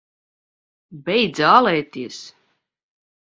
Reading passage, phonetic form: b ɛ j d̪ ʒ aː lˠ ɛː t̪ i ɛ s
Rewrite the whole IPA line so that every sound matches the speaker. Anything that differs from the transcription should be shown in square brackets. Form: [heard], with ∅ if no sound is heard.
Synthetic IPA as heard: b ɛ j d̪ [z] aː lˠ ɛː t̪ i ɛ s